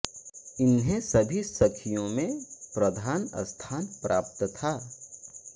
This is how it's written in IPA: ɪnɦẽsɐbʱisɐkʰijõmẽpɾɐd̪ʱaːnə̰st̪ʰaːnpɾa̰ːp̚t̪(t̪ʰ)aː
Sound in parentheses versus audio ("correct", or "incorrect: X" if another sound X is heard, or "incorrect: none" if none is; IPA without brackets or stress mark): correct